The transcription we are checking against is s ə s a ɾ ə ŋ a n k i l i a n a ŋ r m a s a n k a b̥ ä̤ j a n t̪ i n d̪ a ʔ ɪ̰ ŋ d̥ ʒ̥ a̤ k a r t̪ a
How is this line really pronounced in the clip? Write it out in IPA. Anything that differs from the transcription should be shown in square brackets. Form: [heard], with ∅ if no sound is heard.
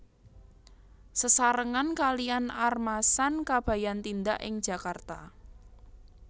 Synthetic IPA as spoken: s ə s a ɾ ə ŋ a n k [a] l i a n a [∅] r m a s a n k a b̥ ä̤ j a n t̪ i n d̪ a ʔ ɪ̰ ŋ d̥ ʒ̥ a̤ k a r t̪ a